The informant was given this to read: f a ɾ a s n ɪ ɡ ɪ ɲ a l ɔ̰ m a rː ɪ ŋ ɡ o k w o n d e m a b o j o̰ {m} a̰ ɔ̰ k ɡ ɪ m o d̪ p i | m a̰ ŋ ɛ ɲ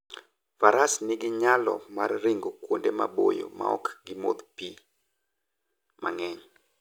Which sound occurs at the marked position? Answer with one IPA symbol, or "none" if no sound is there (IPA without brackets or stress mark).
m